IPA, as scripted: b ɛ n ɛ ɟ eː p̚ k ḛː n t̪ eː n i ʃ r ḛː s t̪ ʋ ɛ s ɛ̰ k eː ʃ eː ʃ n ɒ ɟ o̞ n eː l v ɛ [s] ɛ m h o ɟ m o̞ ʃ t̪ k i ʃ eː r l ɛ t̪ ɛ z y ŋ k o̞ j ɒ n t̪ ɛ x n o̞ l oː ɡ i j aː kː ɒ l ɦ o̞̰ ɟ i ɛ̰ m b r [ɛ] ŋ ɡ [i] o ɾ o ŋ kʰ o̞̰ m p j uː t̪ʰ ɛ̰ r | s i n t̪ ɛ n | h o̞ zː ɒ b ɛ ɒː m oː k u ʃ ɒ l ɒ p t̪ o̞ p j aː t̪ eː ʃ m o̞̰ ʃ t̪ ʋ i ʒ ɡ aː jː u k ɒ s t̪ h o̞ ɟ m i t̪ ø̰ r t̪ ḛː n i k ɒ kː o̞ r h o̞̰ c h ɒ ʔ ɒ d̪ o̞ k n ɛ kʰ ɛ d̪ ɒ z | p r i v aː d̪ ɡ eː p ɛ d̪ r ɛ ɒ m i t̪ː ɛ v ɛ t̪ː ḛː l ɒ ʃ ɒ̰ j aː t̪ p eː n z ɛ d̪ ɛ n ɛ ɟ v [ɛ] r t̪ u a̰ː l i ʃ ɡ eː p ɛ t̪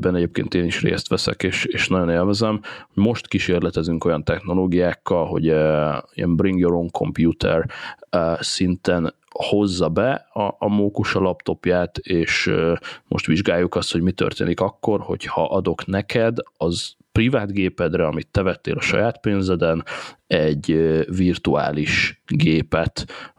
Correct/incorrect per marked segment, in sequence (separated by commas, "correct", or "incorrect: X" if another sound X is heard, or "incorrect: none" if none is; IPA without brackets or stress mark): incorrect: z, incorrect: i, incorrect: j, incorrect: i